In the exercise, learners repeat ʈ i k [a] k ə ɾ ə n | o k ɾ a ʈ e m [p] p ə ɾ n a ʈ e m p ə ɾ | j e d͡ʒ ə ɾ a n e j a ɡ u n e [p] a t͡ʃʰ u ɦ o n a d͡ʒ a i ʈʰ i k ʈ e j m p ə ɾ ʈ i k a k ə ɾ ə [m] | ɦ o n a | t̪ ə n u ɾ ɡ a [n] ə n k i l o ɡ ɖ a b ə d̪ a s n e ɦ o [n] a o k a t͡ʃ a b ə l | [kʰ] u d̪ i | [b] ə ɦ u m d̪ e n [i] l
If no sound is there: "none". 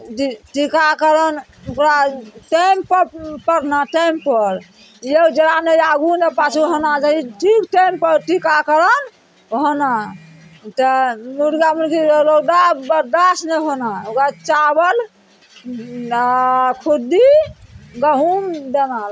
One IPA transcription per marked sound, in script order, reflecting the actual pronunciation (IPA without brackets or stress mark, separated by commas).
a, p, p, n, m, n, kʰ, ɡ, a